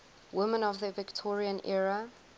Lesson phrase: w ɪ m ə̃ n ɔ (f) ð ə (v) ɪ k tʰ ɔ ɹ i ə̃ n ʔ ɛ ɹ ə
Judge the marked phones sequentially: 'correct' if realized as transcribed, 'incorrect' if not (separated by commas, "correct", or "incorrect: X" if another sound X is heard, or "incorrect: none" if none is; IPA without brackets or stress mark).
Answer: incorrect: v, correct